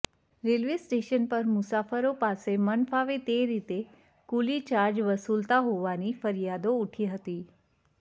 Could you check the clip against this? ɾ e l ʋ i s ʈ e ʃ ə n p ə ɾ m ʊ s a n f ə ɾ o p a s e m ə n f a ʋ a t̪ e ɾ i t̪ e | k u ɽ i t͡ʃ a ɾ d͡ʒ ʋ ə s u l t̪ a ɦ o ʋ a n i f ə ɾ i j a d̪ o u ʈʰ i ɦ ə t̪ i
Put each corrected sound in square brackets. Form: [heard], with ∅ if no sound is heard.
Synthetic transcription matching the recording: ɾ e l ʋ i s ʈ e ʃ ə n p ə ɾ m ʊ s a [∅] f ə ɾ o p a s e m ə n f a ʋ [e] t̪ e ɾ i t̪ e | k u [l] i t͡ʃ a ɾ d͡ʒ ʋ ə s u l t̪ a ɦ o ʋ a n i f ə ɾ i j a d̪ o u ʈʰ i ɦ ə t̪ i